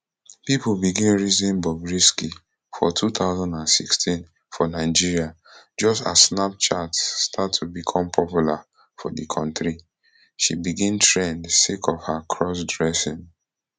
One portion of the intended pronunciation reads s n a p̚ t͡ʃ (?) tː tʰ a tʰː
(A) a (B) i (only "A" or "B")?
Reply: A